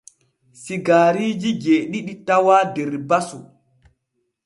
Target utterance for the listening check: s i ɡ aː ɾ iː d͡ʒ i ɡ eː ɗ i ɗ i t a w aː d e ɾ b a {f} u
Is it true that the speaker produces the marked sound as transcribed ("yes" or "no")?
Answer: no